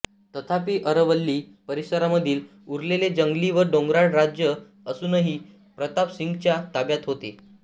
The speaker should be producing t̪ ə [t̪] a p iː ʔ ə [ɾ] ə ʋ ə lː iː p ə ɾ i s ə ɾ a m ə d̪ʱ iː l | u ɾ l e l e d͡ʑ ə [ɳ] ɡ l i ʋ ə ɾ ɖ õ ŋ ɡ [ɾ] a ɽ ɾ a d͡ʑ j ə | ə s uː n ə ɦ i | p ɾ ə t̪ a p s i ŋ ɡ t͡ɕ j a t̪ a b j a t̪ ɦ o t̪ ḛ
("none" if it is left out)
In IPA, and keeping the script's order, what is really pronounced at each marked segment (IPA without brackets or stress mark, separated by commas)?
t̪ʰ, ɾ, ŋ, ɾ